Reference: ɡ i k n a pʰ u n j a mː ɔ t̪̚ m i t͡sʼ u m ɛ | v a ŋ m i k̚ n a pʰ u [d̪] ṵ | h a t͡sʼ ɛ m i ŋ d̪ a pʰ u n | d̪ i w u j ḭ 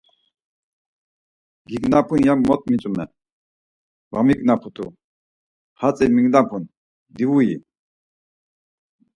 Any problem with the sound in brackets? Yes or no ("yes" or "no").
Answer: yes